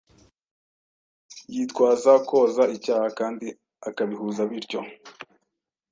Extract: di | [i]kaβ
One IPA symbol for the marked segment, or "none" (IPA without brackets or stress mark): a